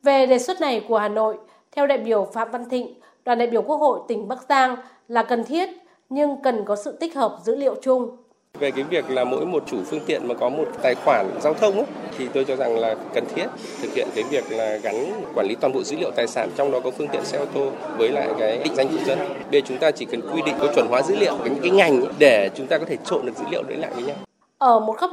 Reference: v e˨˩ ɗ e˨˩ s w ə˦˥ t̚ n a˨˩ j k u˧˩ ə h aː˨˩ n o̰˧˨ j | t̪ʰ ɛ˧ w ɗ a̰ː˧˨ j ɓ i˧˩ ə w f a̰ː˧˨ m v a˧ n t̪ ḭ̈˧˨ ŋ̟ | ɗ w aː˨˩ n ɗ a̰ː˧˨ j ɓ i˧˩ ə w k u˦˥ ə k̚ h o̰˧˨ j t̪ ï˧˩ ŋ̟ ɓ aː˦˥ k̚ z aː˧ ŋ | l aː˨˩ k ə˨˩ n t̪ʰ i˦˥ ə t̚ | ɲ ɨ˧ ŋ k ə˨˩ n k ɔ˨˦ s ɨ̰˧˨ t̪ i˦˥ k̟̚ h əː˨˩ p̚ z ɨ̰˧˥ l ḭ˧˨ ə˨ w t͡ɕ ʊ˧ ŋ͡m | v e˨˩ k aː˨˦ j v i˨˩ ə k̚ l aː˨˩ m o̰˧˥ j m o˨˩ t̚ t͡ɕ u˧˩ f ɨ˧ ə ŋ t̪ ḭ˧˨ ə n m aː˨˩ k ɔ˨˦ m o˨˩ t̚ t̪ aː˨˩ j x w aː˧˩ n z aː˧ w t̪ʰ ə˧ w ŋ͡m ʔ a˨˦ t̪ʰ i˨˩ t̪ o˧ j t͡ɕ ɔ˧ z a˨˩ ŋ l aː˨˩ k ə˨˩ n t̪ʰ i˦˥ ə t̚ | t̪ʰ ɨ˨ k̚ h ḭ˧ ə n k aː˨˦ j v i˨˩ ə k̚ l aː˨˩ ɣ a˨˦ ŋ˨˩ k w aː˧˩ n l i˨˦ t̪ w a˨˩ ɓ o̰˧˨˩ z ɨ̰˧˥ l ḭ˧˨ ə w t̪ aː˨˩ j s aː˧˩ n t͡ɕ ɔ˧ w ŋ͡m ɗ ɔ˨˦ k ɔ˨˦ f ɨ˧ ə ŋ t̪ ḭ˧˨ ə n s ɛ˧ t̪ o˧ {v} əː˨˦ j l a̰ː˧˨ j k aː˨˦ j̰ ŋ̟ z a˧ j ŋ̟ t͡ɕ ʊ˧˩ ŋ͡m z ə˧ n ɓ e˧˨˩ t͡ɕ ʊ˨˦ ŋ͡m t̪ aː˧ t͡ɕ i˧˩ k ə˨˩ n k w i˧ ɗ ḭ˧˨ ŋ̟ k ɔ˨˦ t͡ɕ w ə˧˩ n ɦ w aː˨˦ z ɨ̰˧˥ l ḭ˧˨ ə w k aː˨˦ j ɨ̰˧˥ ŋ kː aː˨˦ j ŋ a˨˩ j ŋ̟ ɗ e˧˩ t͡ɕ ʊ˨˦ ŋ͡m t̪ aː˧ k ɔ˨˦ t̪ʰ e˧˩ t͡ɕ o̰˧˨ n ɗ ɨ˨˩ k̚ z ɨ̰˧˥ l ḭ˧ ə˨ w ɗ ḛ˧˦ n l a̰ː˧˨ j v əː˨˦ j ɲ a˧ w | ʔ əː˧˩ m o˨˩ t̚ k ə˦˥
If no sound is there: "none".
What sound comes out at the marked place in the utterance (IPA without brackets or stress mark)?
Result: v